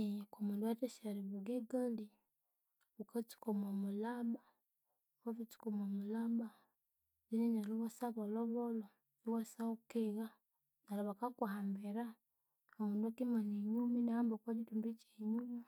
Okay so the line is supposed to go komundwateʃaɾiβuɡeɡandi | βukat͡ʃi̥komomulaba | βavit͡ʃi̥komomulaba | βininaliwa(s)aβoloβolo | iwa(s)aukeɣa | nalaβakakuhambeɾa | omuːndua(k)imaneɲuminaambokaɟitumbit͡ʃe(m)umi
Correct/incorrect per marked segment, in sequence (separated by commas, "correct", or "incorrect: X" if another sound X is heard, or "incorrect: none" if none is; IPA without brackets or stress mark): correct, correct, correct, incorrect: ɲ